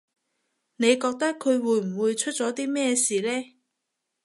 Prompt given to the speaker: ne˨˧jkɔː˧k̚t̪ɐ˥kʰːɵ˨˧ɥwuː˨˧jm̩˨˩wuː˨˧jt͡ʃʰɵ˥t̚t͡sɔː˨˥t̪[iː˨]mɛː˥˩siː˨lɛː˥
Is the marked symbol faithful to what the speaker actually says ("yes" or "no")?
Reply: no